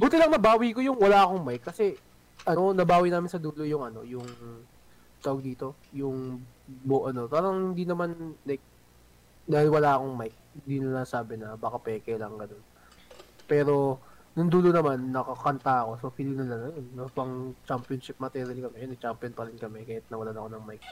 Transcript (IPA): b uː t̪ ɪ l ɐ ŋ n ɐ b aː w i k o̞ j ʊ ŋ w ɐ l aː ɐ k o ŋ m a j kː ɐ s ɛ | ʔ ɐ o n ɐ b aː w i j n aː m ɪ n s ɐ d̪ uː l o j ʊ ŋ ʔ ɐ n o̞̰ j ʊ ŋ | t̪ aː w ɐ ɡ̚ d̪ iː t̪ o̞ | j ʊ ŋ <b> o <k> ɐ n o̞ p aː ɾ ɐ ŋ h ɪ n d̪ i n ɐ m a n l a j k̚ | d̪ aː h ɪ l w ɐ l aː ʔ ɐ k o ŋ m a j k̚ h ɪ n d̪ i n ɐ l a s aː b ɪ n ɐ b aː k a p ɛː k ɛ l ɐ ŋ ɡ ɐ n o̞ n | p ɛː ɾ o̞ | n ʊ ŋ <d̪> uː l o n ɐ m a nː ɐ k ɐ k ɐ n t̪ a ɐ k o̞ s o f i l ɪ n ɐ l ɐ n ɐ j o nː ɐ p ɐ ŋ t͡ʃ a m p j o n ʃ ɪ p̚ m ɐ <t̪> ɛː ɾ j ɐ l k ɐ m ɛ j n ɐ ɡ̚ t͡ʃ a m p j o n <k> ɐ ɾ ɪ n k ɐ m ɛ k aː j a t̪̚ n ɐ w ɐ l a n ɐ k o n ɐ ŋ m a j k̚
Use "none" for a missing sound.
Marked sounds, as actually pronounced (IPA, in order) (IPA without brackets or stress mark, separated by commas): b, ʔ, d̪, t̪, p